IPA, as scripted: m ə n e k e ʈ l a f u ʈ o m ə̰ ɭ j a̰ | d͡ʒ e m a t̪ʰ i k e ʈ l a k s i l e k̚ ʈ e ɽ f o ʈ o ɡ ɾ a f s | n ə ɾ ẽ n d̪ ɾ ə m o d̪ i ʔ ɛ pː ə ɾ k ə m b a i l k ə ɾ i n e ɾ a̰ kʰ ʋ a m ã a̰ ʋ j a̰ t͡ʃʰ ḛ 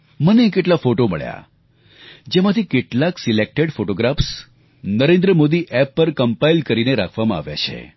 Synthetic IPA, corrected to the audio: m ə n e k e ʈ l a f o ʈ o m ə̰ ɭ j a̰ | d͡ʒ e m a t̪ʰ i k e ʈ l a k s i l e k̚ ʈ e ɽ f o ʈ o ɡ ɾ a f s | n ə ɾ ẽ n d̪ ɾ ə m o d̪ i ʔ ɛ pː ə ɾ k ə m p a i l k ə ɾ i n e ɾ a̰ kʰ ʋ a m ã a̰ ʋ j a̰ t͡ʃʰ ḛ